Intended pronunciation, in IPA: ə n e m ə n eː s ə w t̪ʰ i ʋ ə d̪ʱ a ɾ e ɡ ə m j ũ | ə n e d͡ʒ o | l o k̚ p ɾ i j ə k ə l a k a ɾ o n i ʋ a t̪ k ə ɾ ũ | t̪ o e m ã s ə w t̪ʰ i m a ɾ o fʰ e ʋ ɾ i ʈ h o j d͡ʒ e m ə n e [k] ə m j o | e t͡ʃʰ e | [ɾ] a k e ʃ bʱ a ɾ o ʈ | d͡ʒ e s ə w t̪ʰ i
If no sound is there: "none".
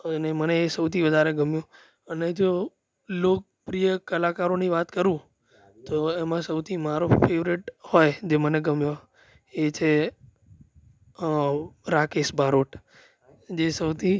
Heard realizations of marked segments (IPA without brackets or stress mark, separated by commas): ɡ, ɾ